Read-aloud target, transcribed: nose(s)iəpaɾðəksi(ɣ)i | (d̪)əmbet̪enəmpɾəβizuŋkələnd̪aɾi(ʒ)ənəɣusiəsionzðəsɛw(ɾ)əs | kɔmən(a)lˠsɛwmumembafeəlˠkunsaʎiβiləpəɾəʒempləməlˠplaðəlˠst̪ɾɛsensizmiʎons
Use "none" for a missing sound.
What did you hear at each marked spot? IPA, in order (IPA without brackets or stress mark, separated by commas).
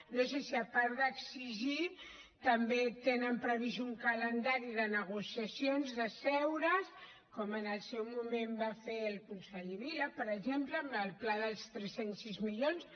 s, ʒ, t̪, ð, ɾ, ə